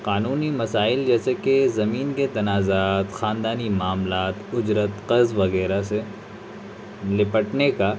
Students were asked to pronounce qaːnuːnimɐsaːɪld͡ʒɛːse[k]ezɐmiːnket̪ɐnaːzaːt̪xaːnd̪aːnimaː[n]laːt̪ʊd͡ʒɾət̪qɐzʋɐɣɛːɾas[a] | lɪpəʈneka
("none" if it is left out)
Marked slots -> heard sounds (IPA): k, m, e

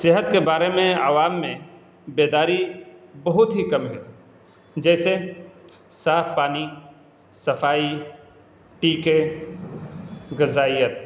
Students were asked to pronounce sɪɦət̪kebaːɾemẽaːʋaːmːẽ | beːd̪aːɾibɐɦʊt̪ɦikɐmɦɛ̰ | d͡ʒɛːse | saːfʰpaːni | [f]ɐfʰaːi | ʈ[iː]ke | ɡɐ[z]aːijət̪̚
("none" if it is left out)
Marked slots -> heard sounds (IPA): s, iː, z

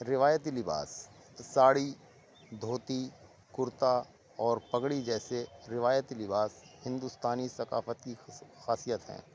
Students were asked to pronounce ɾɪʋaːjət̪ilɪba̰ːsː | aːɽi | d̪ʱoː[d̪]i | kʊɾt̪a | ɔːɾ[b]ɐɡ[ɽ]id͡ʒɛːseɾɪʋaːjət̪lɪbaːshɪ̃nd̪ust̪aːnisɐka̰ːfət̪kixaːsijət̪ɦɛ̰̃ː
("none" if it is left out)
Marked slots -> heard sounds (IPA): t̪, p, ɽ

